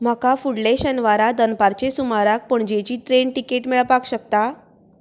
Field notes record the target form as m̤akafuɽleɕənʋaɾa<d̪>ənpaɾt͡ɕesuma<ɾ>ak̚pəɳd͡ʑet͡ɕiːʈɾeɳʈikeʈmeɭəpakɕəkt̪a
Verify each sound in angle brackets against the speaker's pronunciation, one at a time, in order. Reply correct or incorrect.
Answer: correct, correct

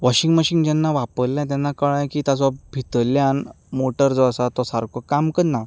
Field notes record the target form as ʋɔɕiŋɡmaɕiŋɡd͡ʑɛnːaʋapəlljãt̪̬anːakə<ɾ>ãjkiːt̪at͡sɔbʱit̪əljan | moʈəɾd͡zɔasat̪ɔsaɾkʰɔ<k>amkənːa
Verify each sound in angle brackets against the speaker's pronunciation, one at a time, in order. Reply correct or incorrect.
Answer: incorrect: ɭ, correct

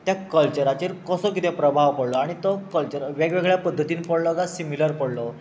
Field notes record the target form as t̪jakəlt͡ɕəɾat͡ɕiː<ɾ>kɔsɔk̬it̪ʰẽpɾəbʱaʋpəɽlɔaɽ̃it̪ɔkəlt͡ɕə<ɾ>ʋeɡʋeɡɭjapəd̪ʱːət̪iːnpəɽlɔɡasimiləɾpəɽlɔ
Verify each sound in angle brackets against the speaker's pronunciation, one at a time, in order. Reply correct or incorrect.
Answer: correct, correct

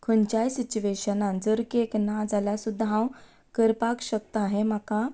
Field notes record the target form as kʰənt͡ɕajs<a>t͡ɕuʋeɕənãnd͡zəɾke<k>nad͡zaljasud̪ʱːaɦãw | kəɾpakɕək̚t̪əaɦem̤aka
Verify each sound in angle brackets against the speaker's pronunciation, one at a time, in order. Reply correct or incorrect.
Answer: incorrect: i, correct

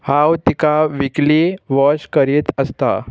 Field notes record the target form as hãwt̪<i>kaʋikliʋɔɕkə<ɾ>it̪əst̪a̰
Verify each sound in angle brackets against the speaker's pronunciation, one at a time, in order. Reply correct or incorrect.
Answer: correct, correct

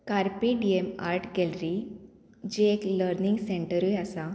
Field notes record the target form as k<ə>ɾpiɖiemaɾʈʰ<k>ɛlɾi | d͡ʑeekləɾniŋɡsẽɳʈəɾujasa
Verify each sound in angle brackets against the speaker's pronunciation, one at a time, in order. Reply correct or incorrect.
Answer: incorrect: a, incorrect: ɡ

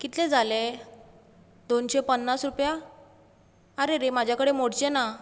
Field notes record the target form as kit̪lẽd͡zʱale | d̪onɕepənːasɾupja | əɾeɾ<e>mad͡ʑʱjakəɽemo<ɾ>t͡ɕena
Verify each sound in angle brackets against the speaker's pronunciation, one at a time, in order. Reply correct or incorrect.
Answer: correct, incorrect: ɽ

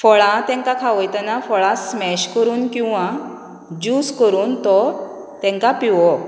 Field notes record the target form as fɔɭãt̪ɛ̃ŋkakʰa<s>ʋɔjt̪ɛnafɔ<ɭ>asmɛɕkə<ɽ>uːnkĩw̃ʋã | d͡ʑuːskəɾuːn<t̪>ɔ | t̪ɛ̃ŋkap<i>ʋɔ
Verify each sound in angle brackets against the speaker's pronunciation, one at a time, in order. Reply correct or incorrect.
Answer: incorrect: none, correct, incorrect: ɾ, correct, correct

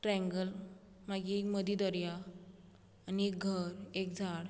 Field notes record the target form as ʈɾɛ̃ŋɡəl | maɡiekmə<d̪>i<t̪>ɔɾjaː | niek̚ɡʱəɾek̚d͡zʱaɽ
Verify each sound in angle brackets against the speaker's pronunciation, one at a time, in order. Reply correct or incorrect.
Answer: correct, incorrect: d̪

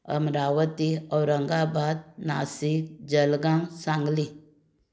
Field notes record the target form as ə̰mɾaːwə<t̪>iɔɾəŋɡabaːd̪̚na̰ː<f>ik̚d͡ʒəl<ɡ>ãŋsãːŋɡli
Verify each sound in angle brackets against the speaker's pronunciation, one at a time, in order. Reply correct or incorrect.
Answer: correct, incorrect: s, correct

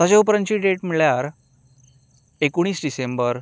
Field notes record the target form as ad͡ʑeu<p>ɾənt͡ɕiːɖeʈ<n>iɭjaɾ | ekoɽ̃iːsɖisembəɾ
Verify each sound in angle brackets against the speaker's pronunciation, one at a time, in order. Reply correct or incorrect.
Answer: correct, incorrect: m

